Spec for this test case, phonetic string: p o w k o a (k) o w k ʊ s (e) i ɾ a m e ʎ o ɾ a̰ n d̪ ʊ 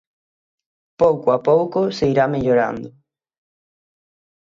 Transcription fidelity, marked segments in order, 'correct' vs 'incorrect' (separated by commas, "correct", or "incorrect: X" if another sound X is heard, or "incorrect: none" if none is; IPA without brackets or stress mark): incorrect: p, correct